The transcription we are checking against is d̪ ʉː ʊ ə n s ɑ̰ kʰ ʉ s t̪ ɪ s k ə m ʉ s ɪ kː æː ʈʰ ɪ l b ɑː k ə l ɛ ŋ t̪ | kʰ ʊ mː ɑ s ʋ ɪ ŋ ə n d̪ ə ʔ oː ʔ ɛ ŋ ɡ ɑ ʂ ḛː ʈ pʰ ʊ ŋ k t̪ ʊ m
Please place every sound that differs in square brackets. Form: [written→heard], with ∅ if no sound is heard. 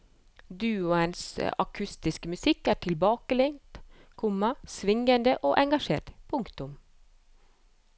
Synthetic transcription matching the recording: d̪ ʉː ʊ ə n s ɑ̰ kʰ ʉ s t̪ ɪ s k ə m ʉ s ɪ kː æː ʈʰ ɪ l b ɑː k ə l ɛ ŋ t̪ | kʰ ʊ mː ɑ s ʋ ɪ ŋ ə n d̪ ə ʔ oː ʔ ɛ ŋ ɡ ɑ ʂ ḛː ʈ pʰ ʊ ŋ k t̪ ʊ m